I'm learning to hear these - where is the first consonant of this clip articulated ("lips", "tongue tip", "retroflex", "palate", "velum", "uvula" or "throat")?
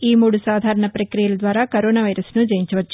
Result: lips